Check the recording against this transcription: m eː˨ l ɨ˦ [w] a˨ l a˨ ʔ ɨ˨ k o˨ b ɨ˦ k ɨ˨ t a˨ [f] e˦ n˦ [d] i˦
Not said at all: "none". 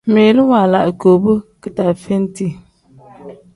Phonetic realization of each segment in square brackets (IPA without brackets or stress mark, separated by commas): w, f, t